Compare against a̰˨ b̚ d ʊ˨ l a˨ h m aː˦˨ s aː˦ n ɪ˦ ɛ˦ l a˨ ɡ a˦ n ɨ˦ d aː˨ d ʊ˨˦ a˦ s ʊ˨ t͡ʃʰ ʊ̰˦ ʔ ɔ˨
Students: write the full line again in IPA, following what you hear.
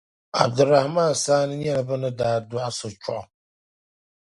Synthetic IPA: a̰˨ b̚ d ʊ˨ ɾ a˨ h m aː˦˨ s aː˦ n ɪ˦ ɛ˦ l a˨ b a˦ n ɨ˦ d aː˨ d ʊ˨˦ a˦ s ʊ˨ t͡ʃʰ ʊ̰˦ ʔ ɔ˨